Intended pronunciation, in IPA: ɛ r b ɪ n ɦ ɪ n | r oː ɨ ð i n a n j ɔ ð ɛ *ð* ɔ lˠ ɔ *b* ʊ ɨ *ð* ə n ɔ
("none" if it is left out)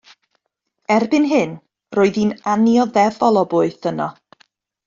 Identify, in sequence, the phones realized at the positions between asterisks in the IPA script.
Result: v, b, θ

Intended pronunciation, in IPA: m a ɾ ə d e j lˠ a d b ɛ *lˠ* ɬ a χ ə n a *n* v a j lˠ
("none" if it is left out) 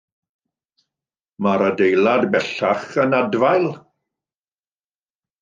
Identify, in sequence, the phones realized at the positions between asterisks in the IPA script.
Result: none, d

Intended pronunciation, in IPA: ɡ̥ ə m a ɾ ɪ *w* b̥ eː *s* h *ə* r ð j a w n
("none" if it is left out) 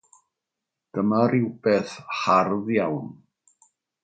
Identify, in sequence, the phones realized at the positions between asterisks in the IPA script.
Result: w, θ, a

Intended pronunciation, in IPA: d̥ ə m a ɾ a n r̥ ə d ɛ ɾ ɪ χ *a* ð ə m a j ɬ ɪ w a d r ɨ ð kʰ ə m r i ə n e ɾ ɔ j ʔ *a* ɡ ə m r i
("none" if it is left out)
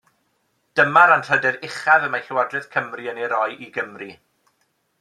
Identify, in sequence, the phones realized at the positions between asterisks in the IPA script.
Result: a, i

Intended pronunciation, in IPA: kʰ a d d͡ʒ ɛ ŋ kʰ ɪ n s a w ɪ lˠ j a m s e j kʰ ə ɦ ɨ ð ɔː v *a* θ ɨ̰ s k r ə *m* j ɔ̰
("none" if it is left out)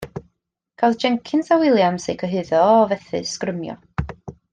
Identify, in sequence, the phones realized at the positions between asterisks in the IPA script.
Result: ɛ, m

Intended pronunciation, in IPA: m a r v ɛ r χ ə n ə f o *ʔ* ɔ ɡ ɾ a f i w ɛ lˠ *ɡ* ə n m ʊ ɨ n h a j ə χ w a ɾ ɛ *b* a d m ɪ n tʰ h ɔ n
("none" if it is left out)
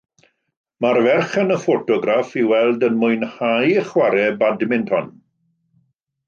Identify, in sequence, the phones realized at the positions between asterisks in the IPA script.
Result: t, d, b

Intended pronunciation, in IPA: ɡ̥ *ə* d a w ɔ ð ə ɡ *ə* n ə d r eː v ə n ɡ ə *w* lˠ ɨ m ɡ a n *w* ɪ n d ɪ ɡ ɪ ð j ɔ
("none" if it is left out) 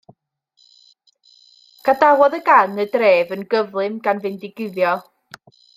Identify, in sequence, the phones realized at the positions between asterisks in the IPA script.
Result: a, a, v, v

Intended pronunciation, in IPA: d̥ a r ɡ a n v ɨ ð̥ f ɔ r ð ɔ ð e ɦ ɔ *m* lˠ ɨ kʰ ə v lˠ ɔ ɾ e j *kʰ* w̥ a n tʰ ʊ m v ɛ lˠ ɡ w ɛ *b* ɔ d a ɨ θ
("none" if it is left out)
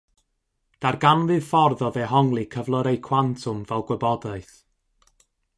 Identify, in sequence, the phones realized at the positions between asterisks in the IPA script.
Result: ŋ, kʰ, b

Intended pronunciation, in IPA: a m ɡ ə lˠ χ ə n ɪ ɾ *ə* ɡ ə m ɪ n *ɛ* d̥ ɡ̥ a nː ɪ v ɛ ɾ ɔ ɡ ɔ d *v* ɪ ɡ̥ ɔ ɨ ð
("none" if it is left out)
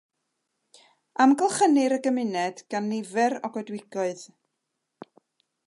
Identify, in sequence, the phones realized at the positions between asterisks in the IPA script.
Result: ə, ɛ, w

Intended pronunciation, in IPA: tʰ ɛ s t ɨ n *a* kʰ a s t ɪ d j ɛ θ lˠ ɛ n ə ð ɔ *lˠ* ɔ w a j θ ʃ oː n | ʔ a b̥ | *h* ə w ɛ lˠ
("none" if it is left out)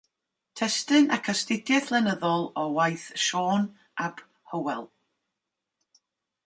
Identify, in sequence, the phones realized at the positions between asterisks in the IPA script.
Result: a, lˠ, h

